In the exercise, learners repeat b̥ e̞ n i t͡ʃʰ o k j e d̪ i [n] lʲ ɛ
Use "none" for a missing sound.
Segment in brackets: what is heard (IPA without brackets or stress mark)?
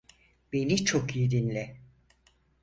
n